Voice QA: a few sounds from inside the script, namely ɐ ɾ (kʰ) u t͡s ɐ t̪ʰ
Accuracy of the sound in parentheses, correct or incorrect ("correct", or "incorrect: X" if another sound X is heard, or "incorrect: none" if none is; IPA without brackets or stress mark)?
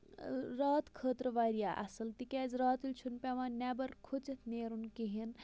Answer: correct